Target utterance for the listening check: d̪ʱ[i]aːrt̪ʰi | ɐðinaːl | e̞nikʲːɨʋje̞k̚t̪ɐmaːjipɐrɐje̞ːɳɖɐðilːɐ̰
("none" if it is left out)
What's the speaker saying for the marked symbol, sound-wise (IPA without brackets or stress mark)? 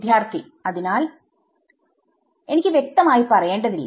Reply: j